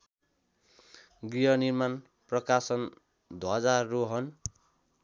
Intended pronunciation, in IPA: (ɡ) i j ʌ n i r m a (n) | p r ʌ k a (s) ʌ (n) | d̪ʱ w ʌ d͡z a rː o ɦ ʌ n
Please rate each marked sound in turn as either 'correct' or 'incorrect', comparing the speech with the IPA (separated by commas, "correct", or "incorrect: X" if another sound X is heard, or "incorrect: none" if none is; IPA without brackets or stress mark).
correct, correct, correct, correct